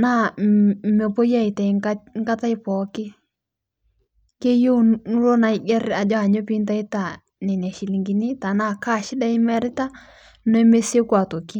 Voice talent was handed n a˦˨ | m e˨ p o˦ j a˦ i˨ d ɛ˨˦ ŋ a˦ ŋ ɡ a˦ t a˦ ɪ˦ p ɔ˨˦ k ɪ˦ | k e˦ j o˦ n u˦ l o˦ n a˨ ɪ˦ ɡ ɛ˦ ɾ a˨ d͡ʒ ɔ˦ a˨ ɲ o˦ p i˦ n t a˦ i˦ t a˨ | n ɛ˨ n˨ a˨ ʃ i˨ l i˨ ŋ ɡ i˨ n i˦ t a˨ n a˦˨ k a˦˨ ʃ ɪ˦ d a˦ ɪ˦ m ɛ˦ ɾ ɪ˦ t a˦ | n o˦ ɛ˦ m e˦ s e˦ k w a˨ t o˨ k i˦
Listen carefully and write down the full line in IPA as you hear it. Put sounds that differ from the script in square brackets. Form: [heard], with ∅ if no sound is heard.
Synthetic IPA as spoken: n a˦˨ | m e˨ p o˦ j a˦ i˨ [t] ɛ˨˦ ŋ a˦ ŋ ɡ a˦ t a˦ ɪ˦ p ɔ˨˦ k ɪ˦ | k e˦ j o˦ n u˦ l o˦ n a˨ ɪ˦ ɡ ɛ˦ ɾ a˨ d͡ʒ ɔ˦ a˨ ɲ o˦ p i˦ n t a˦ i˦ t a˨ | n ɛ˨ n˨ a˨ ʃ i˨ l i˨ ŋ ɡ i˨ n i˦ t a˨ n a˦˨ k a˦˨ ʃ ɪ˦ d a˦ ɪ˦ m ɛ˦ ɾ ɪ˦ t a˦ | n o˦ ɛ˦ m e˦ s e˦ k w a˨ t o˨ k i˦